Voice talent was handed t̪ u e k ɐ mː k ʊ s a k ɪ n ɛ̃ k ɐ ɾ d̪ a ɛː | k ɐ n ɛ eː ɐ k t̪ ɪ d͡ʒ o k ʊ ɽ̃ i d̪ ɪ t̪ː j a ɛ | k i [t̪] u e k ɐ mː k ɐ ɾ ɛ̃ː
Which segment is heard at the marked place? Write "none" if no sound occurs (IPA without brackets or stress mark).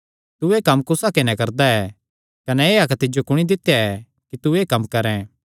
t̪